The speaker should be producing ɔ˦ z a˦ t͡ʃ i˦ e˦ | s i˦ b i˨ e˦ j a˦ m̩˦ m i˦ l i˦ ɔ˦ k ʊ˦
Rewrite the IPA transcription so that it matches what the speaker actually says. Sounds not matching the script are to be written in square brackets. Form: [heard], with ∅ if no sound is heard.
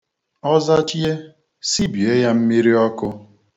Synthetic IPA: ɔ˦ z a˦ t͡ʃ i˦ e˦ | s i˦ b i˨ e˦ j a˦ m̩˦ m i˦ [ɾ] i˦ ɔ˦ k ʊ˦